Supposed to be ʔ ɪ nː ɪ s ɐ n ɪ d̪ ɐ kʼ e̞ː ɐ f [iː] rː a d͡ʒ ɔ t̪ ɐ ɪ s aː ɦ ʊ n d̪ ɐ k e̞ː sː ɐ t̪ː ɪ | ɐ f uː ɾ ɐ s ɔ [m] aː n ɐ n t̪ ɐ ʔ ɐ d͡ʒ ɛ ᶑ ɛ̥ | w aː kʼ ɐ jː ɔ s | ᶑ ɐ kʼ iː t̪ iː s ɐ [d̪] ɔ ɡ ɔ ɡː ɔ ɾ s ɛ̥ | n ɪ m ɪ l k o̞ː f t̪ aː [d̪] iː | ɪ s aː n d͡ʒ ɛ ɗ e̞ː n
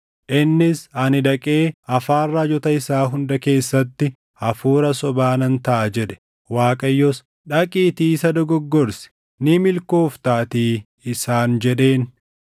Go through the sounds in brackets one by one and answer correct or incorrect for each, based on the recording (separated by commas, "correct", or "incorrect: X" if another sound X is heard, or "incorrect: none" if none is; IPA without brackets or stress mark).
incorrect: aː, incorrect: b, correct, incorrect: t̪